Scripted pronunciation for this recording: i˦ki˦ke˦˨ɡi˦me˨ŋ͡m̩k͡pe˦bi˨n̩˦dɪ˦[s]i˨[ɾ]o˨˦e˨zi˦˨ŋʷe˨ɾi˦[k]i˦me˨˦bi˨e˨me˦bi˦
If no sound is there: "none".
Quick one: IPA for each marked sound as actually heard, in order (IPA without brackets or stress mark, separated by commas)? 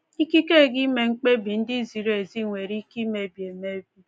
z, ɾ, k